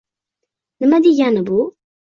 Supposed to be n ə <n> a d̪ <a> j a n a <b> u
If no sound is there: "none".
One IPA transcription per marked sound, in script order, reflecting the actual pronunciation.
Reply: m, i, b

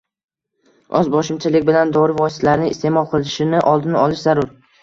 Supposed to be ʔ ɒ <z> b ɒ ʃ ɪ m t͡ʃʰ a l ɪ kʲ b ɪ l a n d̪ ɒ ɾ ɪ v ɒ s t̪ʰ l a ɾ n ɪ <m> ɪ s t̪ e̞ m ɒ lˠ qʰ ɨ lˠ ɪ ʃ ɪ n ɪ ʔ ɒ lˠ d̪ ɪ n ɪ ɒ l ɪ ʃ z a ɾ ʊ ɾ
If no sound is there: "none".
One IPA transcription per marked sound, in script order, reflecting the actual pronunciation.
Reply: z, ŋ

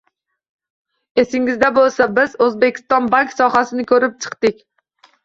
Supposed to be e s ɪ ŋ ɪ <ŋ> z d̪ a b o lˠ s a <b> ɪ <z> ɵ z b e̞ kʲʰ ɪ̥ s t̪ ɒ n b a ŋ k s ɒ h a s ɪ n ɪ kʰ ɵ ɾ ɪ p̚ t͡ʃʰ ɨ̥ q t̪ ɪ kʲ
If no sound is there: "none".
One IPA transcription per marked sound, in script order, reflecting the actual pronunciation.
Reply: none, b, z

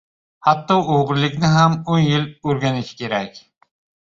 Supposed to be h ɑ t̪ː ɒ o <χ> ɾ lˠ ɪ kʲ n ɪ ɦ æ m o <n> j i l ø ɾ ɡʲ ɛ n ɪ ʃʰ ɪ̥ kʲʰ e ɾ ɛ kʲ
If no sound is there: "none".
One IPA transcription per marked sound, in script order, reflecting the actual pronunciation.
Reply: ʁ, n

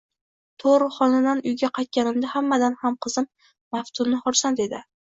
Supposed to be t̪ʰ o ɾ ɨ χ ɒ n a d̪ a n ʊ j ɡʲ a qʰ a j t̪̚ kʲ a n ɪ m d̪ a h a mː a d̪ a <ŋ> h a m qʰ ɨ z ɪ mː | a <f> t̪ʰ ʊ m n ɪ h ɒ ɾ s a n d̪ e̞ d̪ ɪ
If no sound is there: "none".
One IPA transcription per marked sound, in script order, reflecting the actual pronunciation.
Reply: n, f

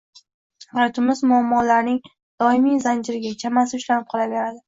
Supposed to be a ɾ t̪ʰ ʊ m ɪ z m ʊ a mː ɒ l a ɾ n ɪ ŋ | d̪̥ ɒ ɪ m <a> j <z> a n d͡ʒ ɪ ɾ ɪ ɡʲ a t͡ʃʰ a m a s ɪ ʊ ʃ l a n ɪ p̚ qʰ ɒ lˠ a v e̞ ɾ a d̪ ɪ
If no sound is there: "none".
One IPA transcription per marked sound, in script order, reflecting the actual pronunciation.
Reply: i, z

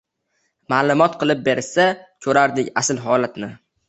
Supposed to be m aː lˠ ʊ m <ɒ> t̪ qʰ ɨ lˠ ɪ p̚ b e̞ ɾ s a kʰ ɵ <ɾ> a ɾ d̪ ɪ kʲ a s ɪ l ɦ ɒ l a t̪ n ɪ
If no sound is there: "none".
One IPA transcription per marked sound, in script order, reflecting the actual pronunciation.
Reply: ɒ, ɾ

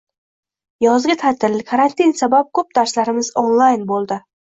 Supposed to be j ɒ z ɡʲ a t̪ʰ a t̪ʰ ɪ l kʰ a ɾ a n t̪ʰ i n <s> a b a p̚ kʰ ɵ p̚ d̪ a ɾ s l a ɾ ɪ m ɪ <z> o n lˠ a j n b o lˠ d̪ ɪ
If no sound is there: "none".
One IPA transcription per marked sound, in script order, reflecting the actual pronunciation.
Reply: s, z

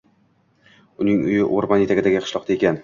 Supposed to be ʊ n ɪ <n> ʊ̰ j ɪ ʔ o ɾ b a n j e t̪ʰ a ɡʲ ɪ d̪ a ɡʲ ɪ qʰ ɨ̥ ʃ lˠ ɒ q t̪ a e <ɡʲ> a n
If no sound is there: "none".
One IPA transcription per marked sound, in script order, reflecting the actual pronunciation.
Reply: ŋ, kʲ

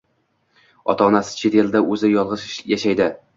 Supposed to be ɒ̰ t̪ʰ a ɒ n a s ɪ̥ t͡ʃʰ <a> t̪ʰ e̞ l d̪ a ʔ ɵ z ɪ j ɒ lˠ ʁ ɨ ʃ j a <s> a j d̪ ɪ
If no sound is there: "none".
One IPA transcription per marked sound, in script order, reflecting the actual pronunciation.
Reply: e, ʃ

